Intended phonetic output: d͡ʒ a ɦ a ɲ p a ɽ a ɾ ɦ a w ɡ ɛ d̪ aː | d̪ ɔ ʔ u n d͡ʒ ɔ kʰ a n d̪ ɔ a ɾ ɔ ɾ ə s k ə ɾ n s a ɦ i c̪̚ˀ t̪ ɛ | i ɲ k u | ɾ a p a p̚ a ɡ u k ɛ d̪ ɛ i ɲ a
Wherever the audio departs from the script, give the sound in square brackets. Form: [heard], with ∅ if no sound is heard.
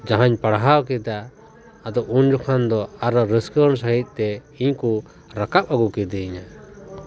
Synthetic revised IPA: d͡ʒ a ɦ a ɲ p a ɽ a [∅] ɦ a w [k] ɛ d̪ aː | d̪ ɔ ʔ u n d͡ʒ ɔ kʰ a n d̪ ɔ a ɾ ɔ ɾ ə s k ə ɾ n s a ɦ i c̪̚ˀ t̪ ɛ | i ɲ k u | ɾ a [k] a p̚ a ɡ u k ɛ d̪ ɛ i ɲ a